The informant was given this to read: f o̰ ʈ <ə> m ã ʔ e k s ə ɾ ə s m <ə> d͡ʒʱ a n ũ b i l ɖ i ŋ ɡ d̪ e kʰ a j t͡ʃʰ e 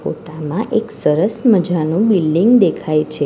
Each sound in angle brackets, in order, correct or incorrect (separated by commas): incorrect, correct